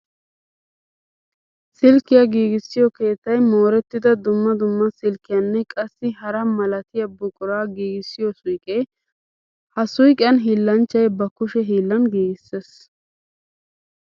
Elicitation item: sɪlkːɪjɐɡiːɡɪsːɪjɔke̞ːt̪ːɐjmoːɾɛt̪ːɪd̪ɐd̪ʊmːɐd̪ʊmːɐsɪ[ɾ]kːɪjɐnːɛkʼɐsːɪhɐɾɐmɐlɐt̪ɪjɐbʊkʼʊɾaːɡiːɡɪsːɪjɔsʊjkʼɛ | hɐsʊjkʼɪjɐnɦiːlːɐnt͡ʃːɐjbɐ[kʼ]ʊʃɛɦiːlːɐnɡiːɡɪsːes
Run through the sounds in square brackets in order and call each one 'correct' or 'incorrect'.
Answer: incorrect, incorrect

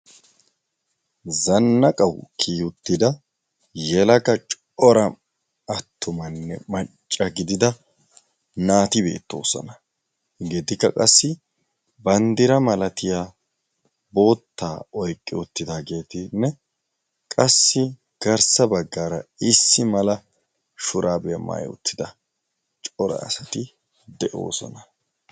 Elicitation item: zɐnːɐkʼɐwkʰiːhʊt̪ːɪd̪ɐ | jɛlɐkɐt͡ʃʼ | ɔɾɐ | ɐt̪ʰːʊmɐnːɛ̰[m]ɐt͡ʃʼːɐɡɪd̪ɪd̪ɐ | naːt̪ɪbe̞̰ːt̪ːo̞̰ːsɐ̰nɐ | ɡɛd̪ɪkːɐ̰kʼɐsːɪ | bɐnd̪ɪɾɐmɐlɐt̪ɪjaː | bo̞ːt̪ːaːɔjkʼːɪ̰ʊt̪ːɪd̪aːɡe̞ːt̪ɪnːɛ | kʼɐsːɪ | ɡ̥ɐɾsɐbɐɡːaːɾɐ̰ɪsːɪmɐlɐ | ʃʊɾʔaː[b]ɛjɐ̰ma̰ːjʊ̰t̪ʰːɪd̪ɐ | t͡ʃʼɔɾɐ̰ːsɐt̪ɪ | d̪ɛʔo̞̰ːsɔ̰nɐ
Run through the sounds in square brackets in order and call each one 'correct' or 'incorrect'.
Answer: correct, correct

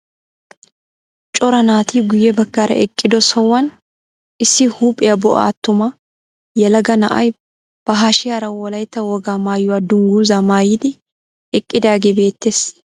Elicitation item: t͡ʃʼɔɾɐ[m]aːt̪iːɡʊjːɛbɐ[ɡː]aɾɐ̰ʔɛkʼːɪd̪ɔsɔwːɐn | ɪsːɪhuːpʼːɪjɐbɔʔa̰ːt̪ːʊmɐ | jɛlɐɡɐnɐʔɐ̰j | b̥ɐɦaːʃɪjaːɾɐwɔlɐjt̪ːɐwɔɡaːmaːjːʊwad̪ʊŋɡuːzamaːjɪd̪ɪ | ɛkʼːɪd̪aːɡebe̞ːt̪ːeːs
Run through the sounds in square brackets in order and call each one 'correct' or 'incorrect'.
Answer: incorrect, incorrect

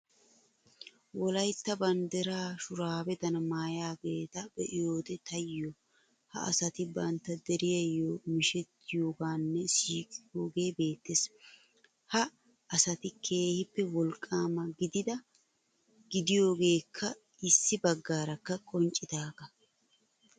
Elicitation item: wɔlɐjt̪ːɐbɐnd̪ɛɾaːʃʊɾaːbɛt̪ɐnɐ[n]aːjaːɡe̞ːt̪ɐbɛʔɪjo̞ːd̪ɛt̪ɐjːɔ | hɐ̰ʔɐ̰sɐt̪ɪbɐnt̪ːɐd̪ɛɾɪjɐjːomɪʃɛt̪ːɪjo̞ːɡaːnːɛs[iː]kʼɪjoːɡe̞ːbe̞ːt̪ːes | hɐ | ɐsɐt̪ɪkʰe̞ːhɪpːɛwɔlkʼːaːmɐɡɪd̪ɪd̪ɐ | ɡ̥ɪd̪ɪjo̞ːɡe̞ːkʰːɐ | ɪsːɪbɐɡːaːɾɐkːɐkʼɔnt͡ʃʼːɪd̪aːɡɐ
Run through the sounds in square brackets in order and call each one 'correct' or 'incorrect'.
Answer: incorrect, correct

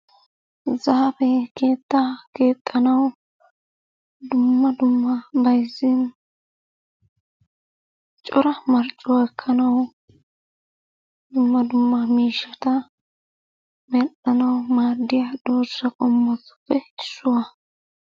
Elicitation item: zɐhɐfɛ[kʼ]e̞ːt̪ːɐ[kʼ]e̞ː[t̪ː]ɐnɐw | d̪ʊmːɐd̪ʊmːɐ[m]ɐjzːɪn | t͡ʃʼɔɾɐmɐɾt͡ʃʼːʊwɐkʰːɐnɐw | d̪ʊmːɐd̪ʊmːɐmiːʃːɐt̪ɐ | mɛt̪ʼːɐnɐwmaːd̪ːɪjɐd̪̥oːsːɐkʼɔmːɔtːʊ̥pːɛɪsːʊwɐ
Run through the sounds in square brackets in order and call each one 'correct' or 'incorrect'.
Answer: incorrect, incorrect, incorrect, incorrect

